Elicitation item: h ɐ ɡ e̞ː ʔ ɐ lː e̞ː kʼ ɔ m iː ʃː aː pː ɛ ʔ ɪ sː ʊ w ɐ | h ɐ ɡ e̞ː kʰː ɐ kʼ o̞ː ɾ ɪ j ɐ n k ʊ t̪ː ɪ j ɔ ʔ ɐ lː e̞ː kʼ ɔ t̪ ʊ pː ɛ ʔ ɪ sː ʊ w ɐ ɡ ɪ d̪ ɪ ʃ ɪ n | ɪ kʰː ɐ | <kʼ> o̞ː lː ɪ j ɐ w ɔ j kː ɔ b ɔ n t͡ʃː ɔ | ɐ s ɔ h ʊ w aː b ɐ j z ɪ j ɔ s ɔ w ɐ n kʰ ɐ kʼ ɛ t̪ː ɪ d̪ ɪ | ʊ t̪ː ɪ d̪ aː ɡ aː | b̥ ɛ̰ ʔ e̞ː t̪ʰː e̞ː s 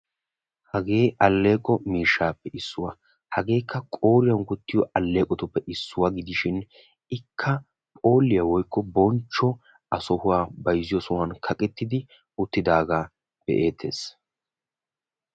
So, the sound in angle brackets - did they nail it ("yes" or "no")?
no